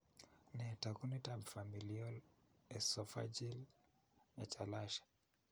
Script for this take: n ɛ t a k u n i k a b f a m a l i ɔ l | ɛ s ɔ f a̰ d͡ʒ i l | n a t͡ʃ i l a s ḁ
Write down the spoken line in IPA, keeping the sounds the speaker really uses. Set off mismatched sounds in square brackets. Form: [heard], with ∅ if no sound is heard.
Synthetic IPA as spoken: n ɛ t a k u n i [t] a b f a m [i] l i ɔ l | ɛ s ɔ f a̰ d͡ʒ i l | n a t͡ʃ [a] l a [ʃ] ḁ